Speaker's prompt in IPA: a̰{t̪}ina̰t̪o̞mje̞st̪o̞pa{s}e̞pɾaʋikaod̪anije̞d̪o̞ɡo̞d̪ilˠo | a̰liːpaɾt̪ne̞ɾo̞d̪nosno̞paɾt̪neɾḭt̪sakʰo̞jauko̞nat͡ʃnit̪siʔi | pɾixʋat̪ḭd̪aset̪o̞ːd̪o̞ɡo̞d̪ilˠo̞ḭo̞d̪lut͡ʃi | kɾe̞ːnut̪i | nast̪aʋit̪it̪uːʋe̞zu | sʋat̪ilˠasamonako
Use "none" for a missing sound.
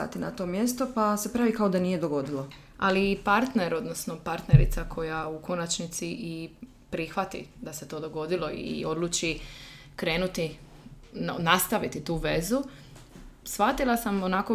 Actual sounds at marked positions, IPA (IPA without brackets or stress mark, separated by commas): t̪, s